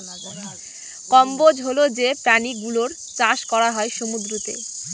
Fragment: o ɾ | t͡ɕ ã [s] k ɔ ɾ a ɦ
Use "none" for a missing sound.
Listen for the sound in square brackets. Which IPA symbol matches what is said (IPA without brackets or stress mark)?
ʃ